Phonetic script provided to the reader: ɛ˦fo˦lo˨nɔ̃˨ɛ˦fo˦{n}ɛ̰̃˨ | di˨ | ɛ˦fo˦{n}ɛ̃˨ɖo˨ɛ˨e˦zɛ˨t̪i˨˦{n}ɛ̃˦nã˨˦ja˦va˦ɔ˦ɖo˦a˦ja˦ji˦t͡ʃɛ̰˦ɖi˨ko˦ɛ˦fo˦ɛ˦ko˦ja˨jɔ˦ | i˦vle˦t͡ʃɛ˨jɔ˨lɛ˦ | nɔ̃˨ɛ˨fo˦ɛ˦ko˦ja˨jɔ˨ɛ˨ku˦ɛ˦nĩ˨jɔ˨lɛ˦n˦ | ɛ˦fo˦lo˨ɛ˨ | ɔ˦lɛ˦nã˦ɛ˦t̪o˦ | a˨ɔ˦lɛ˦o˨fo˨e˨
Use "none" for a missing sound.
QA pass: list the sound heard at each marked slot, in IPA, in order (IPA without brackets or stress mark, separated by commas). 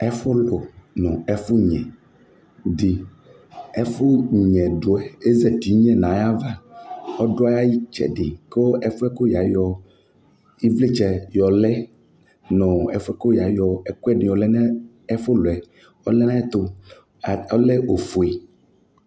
ɲ, ɲ, ɲ